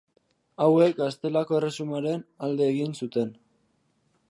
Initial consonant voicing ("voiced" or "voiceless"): voiced